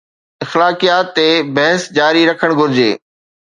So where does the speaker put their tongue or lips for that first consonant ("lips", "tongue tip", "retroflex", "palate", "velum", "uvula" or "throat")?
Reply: velum